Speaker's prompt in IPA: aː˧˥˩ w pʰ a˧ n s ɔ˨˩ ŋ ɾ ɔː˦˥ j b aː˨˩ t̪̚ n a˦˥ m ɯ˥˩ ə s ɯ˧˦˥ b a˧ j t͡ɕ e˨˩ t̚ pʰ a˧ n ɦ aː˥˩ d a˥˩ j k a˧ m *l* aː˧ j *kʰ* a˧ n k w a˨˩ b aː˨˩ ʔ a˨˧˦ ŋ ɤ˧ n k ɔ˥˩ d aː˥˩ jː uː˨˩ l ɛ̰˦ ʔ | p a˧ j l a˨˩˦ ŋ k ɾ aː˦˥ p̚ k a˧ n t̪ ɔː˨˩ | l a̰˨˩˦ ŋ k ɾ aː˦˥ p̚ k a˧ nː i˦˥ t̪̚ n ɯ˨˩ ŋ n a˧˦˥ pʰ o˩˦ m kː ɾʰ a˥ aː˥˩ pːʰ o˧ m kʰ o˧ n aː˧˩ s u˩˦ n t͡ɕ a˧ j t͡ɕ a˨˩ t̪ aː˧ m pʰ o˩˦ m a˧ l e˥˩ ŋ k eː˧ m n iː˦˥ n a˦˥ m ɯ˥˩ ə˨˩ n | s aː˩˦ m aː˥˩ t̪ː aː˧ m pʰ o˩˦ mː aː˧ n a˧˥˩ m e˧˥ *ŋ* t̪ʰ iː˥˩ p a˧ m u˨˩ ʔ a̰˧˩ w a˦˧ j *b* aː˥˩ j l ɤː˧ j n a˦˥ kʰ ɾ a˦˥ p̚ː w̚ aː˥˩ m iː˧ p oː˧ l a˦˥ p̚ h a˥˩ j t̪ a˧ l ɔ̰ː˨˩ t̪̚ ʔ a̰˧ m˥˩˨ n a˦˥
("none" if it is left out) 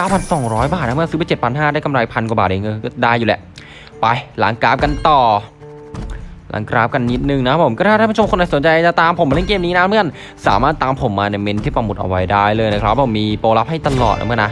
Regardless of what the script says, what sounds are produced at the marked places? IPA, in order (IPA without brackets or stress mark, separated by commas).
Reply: ɾ, pʰ, n, d